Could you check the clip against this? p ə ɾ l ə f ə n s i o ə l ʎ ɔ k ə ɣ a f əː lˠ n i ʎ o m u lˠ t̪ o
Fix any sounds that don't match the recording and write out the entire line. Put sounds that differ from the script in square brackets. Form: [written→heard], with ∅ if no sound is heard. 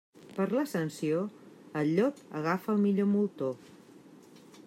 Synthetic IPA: p ə ɾ l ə [f→s] ə n s i o ə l ʎ ɔ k ə ɣ a f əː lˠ [n→m] i ʎ o m u lˠ t̪ o